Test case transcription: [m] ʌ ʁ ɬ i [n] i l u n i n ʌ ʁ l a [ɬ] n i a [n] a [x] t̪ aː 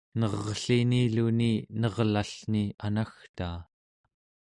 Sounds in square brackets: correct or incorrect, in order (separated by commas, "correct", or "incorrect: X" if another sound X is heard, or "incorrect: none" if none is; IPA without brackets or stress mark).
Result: incorrect: n, correct, correct, correct, correct